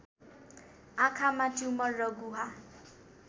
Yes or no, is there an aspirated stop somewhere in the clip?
yes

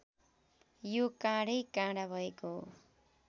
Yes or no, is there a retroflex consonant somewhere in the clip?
yes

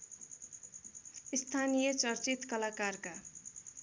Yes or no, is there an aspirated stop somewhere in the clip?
yes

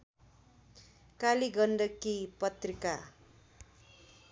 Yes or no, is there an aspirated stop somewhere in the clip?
no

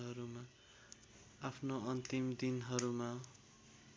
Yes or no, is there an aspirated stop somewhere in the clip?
yes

